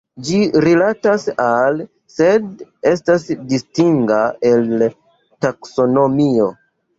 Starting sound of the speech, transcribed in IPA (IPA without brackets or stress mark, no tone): d͡ʒ